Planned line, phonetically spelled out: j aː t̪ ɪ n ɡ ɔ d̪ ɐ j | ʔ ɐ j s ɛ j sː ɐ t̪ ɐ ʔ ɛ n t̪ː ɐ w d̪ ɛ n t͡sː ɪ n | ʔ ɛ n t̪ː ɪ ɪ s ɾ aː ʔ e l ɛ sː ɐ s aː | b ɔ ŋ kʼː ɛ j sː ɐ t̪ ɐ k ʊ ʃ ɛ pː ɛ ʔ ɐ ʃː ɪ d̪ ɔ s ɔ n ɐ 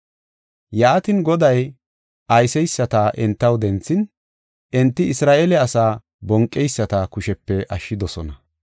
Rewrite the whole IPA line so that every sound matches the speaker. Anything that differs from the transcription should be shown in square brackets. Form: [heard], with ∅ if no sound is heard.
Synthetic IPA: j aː t̪ ɪ n ɡ ɔ d̪ ɐ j | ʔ ɐ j s ɛ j sː ɐ t̪ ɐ ʔ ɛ n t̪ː ɐ w d̪ ɛ n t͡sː ɪ n | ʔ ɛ n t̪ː ɪ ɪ s ɾ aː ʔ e l ɛ [∅] ɐ s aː | b ɔ ŋ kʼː ɛ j sː ɐ t̪ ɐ k ʊ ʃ ɛ pː ɛ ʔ ɐ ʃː ɪ d̪ ɔ s ɔ n ɐ